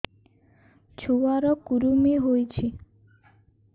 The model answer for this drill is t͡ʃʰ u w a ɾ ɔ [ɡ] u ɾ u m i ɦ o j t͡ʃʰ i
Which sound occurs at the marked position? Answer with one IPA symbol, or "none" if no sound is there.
k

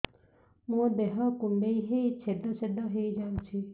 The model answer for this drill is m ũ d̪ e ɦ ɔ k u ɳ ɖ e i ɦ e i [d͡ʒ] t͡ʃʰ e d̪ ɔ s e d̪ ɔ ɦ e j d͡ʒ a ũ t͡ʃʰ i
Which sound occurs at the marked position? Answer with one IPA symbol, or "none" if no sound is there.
none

